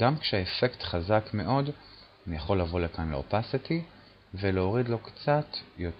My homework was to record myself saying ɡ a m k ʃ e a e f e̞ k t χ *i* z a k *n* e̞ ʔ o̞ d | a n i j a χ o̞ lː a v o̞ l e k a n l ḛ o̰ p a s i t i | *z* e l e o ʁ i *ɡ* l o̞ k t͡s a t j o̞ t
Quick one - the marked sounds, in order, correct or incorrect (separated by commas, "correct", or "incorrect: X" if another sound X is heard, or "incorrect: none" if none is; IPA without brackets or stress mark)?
incorrect: a, incorrect: m, incorrect: v, incorrect: d